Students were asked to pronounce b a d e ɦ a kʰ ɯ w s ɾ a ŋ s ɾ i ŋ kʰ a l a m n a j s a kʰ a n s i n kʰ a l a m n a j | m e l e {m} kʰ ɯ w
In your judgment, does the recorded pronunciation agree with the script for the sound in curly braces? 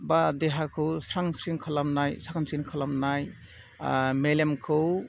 yes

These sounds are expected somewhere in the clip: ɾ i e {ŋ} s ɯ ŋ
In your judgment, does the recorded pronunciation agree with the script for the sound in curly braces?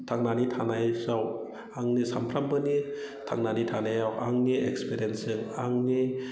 no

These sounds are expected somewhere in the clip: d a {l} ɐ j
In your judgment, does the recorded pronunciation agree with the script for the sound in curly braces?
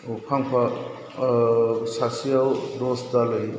yes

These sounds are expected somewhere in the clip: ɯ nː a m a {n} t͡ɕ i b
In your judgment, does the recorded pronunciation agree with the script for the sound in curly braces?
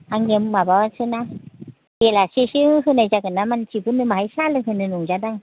yes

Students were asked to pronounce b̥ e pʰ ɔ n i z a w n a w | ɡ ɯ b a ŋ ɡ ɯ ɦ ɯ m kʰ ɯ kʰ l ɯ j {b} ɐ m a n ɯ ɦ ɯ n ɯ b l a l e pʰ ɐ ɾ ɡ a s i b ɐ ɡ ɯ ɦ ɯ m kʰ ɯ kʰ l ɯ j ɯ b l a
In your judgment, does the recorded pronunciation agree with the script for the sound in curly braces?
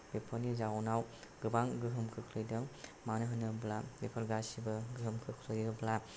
no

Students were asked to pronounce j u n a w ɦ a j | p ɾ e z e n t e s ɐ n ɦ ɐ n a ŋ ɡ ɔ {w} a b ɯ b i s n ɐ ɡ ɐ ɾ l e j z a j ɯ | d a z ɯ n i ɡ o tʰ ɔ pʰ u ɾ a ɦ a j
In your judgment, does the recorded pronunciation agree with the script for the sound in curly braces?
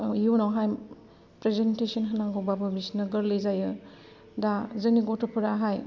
no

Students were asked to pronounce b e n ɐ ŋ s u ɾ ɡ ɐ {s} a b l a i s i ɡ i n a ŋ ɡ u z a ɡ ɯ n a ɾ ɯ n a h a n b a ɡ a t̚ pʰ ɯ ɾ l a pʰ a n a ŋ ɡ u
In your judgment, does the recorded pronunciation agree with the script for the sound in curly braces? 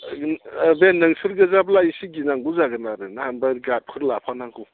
no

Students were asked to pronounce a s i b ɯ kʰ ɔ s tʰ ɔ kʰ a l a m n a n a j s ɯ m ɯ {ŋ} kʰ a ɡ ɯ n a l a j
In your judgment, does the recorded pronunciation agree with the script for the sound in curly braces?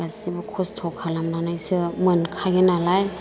no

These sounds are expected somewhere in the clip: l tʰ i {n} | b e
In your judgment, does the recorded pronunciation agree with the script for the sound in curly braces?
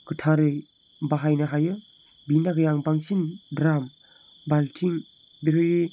no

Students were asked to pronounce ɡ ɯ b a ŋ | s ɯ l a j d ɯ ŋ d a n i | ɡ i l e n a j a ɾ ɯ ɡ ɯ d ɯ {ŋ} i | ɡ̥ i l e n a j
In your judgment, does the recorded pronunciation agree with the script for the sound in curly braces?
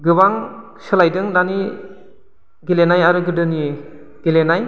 no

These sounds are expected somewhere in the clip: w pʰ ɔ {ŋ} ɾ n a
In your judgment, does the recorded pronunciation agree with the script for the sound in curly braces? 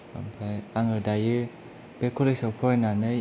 no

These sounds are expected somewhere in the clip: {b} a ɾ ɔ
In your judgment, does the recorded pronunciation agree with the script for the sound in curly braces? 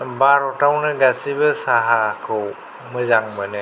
yes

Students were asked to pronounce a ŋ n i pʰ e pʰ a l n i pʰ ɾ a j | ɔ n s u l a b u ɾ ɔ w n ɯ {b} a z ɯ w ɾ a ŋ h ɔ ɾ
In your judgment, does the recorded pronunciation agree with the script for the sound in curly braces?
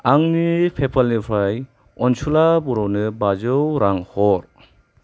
yes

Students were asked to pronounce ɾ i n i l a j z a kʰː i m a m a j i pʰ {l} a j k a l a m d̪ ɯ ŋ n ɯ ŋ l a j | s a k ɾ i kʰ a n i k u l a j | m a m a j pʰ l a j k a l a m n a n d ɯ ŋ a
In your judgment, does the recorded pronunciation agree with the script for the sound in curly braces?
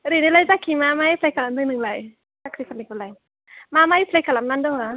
yes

